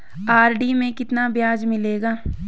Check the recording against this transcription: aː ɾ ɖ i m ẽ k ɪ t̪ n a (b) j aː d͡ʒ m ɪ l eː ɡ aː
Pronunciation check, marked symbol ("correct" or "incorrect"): correct